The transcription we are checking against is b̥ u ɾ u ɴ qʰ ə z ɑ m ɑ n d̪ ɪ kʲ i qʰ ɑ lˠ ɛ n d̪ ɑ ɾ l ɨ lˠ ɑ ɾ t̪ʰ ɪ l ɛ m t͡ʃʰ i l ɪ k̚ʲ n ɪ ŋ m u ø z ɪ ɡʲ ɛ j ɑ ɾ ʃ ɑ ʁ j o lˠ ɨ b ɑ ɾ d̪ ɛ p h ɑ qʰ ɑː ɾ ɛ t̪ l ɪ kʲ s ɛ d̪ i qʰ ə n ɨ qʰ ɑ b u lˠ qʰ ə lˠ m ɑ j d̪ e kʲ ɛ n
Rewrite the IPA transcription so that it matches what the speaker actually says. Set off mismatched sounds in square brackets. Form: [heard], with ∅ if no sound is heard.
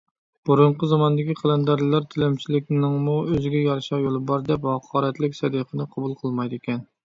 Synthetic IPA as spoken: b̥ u ɾ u ɴ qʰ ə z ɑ m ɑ n d̪ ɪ kʲ i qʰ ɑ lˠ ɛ n d̪ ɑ ɾ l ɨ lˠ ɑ ɾ t̪ʰ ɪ l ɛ m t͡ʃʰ i l ɪ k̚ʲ n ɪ ŋ m u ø z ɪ ɡʲ ɛ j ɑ ɾ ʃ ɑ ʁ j o lˠ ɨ b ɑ ɾ d̪ ɛ p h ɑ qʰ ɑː ɾ ɛ t̪ l ɪ kʲ s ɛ d̪ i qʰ ə n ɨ qʰ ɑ b u lˠ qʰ ə lˠ m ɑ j d̪ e kʲ ɛ n

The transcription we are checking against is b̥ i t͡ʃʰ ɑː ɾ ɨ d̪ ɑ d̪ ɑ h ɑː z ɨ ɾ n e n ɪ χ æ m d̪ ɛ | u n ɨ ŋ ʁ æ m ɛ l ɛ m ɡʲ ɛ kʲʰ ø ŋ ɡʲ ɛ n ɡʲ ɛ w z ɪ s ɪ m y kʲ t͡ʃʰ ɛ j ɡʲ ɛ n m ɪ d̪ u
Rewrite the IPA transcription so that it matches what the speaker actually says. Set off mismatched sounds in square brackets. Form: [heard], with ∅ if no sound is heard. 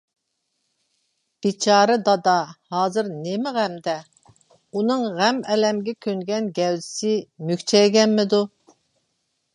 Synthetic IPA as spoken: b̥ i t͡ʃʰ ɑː ɾ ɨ d̪ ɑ d̪ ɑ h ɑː z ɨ ɾ n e [m] ɪ [ʁ] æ m d̪ ɛ | u n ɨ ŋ ʁ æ m ɛ l ɛ m ɡʲ ɛ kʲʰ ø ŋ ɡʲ ɛ n ɡʲ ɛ w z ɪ s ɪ m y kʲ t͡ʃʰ ɛ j ɡʲ ɛ n m ɪ d̪ u

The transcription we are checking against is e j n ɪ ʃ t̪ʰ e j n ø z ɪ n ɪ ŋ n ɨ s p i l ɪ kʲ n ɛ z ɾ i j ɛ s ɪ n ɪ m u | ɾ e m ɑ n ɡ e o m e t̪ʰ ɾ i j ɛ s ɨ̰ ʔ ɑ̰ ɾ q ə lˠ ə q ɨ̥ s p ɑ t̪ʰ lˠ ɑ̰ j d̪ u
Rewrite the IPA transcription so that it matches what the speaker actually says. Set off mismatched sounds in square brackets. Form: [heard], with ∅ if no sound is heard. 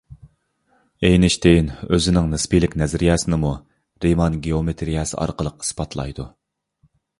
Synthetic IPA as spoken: e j n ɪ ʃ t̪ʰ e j n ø z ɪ n ɪ ŋ n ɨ s p i l ɪ kʲ n ɛ z ɾ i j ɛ s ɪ n ɪ m u | ɾ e m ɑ n ɡ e o m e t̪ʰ ɾ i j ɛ s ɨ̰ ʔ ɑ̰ ɾ q ə lˠ ə q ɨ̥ s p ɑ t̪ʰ lˠ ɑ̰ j d̪ u

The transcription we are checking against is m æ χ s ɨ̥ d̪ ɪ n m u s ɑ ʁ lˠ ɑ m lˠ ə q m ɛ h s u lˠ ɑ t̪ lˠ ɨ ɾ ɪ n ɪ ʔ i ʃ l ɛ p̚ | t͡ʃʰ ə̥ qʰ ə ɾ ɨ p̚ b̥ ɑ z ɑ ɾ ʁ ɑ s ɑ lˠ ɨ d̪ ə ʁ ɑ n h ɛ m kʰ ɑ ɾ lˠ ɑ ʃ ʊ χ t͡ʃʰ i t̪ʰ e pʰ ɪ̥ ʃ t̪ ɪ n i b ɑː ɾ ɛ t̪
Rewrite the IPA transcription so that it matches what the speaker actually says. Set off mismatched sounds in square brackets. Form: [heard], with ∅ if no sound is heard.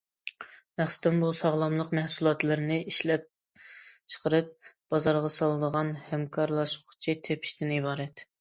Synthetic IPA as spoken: m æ χ s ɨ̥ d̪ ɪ n [b] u s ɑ ʁ lˠ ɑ m lˠ ə q m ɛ h s u lˠ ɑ t̪ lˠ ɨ ɾ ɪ n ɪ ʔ i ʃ l ɛ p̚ | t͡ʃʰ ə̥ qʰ ə ɾ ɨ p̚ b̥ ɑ z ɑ ɾ ʁ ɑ s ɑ lˠ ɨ d̪ ə ʁ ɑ n h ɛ m kʰ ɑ ɾ lˠ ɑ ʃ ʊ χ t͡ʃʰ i t̪ʰ e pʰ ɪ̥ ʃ t̪ ɪ n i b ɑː ɾ ɛ t̪

